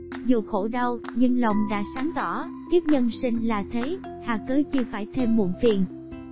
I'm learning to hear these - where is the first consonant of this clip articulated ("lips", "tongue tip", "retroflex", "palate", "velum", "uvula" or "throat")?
tongue tip